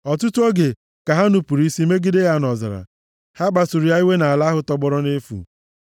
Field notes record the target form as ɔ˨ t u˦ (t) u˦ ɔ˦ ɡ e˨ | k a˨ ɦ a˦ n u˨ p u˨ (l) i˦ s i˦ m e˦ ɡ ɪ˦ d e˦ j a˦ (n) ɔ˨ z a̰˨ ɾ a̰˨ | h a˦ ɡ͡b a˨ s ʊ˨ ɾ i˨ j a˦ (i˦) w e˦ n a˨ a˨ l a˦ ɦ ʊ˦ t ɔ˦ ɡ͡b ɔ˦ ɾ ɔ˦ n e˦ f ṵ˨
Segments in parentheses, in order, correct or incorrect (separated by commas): correct, incorrect, correct, correct